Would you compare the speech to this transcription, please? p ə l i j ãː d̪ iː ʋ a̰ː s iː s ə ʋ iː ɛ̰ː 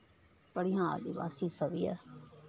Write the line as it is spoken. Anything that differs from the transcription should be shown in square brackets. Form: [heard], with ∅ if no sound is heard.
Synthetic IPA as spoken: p ə [ɽ] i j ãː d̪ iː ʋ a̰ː s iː s ə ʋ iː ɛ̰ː